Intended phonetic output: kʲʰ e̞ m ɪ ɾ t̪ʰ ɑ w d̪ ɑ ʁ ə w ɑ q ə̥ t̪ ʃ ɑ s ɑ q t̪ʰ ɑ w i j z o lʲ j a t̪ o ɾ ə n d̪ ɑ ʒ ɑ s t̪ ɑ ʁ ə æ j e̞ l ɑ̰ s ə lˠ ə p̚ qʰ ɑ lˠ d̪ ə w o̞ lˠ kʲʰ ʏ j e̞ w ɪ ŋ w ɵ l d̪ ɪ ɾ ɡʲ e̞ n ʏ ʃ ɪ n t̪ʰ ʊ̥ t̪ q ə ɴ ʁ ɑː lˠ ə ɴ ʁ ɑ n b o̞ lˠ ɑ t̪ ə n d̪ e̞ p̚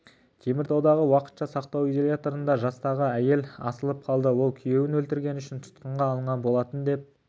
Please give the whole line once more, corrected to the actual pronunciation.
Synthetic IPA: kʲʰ e̞ m ɪ ɾ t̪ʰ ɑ w d̪ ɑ ʁ ə w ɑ q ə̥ t̪ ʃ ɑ s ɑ q t̪ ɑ w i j z o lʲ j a t̪ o ɾ ə n d̪ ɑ ʒ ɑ s t̪ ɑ ʁ ə æ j e̞ l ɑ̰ s ə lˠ ə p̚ qʰ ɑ lˠ d̪ ə w o̞ lˠ kʲʰ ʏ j e̞ w ɪ n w ɵ l t̪ ɪ ɾ ɡʲ e̞ n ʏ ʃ ɪ n t̪ʰ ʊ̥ t̪ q ə ɴ ʁ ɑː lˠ ə ɴ ʁ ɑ n b o̞ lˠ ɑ t̪ ə n d̪ e̞ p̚